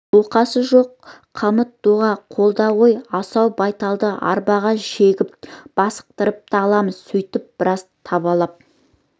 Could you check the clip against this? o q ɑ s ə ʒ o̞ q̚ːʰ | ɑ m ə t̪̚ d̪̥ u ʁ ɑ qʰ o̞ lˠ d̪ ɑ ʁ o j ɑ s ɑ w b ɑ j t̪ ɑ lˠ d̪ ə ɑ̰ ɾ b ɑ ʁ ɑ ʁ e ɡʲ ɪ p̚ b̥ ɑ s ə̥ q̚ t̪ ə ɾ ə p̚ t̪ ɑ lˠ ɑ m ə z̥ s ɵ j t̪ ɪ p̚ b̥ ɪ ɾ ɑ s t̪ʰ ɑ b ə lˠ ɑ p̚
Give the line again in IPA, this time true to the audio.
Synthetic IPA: o q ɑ s ə ʒ o̞ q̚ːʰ | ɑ m ə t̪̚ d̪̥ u ʁ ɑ qʰ o̞ lˠ d̪ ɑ ʁ o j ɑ s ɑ w b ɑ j t̪ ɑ lˠ d̪ ə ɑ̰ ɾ b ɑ ʁ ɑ ʒ e ɡʲ ɪ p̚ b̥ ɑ s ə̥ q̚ t̪ ə ɾ ə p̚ t̪ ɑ lˠ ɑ m ə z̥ s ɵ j t̪ ɪ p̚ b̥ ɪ ɾ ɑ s t̪ʰ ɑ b ɑ lˠ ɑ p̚